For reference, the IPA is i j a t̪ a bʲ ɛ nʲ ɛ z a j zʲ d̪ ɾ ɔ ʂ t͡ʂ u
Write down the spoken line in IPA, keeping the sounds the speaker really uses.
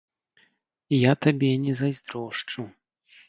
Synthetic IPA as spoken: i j a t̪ a bʲ ɛ nʲ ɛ z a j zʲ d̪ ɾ ɔ ʂ t͡ʂ u